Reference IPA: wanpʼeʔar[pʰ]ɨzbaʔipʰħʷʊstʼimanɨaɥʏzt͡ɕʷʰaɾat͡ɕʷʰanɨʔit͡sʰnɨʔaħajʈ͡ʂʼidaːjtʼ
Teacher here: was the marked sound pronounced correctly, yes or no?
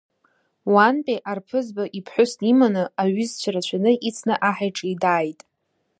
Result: yes